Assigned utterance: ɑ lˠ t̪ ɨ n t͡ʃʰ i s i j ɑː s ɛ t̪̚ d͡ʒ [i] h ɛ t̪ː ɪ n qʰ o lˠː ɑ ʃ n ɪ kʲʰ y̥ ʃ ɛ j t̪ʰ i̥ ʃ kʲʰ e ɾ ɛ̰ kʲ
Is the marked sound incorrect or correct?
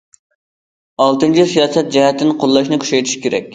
incorrect